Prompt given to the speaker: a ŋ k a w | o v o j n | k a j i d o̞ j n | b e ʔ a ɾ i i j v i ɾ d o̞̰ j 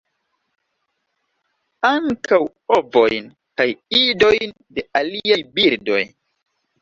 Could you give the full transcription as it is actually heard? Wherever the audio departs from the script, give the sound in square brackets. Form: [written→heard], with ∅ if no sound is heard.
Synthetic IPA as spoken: a ŋ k a w | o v o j n | k a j i d o̞ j n | [b→d] e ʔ a [ɾ→l] i [i→a] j [v→b] i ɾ d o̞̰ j